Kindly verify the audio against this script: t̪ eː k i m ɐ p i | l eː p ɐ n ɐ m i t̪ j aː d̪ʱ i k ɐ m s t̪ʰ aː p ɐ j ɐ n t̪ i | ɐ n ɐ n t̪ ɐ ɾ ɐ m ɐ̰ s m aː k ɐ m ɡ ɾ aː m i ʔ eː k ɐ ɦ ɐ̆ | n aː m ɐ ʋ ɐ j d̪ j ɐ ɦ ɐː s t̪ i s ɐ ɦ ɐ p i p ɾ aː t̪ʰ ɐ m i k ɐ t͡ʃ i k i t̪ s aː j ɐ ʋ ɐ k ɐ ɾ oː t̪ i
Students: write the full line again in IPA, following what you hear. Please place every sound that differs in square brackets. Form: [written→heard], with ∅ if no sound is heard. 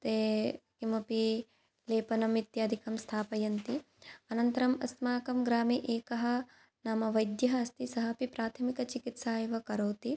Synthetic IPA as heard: t̪ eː k i m ɐ p i | l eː p ɐ n ɐ m i t̪ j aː d̪ʱ i k ɐ m s t̪ʰ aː p ɐ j ɐ n t̪ i | ɐ n ɐ n t̪ ɐ ɾ ɐ m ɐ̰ s m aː k ɐ m ɡ ɾ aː m i ʔ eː k ɐ ɦ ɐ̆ | n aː m ɐ ʋ ɐ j d̪ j ɐ ɦ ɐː s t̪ i s ɐ ɦ ɐ p i p ɾ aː t̪ʰ ɐ m i k ɐ t͡ʃ i k i t̪ s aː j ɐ ʋ ɐ k ɐ ɾ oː t̪ i